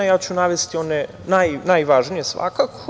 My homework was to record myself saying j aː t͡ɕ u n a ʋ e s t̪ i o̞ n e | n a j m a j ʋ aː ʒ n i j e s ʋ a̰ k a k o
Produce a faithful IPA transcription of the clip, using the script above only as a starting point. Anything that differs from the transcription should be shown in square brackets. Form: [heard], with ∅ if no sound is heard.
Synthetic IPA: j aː t͡ɕ u n a ʋ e s t̪ i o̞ n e | n a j [n] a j ʋ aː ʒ n i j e s ʋ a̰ k a k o